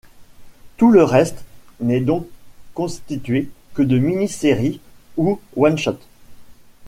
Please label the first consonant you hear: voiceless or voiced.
voiceless